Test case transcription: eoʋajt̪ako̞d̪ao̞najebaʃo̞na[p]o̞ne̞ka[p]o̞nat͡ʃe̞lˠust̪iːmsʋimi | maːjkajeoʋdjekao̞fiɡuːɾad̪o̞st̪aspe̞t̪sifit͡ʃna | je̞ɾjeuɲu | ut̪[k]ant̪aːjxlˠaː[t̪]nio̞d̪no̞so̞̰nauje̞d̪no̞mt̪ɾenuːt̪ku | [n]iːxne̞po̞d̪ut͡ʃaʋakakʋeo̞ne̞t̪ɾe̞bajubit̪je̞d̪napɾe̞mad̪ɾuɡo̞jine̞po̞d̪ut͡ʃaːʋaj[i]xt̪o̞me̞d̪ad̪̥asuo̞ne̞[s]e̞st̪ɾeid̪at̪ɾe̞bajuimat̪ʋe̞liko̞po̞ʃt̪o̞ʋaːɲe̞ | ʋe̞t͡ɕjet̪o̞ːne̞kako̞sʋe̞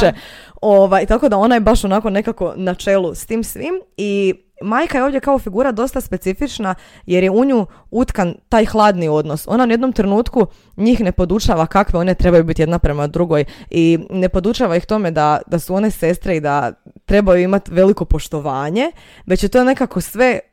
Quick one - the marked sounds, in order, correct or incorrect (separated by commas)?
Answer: incorrect, incorrect, correct, incorrect, incorrect, correct, correct